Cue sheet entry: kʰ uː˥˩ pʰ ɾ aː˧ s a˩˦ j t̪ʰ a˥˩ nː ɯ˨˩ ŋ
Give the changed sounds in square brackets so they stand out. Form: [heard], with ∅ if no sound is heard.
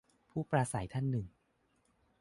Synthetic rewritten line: [pʰ] uː˥˩ [p] ɾ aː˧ s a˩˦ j t̪ʰ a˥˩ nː ɯ˨˩ ŋ